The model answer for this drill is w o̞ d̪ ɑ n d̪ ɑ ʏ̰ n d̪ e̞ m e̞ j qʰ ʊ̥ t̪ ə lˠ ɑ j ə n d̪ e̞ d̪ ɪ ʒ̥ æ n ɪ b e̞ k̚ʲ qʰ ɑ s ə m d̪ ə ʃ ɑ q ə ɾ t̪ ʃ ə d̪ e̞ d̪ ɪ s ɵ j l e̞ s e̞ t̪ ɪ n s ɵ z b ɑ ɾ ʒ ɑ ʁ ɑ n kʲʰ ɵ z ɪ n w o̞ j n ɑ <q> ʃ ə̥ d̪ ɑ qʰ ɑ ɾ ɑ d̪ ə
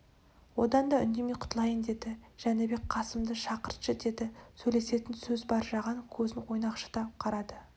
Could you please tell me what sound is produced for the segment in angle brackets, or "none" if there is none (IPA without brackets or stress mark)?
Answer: q